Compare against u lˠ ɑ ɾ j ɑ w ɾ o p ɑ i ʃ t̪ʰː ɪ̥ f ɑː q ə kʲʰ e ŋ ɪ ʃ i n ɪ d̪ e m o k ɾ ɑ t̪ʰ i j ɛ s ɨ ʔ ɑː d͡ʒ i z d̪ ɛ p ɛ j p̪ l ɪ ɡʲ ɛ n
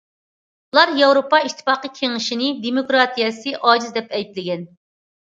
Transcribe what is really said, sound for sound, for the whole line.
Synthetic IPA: u lˠ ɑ ɾ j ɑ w ɾ o p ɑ i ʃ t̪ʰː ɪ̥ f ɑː q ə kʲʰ e ŋ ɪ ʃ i n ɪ d̪ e m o k ɾ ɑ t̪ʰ i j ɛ s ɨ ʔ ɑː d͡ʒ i z d̪ ɛ p ɛ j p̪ l ɪ ɡʲ ɛ n